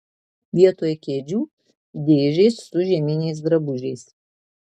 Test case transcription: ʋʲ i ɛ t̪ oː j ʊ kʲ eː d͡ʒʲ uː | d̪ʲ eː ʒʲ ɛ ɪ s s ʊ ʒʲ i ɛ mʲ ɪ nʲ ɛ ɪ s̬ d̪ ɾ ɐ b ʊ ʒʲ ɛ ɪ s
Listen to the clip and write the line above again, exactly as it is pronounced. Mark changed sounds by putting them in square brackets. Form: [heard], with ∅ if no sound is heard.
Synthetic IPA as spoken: ʋʲ i ɛ t̪ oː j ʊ kʲ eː d͡ʒʲ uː | d̪ʲ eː ʒʲ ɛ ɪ s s ʊ ʒʲ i ɛ mʲ ɪ nʲ ɛ ɪ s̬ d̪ ɾ ɐ b ʊ ʒʲ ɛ ɪ s